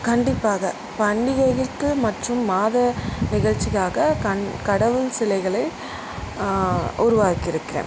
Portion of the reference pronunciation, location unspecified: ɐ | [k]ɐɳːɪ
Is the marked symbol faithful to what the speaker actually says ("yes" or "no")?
no